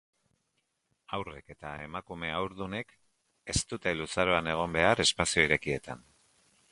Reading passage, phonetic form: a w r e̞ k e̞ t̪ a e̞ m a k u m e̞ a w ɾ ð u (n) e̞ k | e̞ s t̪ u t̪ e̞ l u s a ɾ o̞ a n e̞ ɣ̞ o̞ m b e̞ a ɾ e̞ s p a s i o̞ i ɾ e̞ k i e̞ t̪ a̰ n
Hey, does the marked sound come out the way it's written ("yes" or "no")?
yes